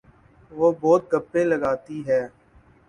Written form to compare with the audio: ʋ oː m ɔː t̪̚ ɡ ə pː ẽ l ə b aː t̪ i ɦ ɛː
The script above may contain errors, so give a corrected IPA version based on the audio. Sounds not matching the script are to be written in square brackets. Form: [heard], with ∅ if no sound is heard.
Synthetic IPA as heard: ʋ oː [b] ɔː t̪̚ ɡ ə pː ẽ l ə [ɡ] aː t̪ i ɦ ɛː